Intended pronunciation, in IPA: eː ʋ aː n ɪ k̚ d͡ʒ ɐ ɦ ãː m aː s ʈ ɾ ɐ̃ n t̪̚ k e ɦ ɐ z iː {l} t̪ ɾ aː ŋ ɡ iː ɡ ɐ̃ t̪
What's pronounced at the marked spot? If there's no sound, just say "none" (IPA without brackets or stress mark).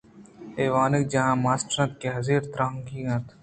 ɾ